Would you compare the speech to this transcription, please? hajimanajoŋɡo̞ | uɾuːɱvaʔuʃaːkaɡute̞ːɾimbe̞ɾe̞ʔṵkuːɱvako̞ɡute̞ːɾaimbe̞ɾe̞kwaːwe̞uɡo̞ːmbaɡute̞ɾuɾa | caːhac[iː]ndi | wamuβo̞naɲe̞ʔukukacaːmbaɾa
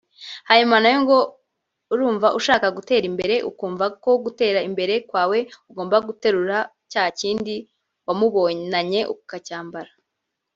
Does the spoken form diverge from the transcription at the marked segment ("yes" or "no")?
no